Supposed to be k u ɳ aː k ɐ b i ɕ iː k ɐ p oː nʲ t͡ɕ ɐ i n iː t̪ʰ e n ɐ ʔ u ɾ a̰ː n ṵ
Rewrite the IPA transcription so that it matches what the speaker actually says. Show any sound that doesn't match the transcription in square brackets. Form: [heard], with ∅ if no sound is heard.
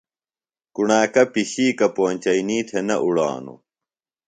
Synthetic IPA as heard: k u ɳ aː k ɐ [p] i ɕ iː k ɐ p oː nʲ t͡ɕ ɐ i n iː t̪ʰ e n ɐ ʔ u [ɽ] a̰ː n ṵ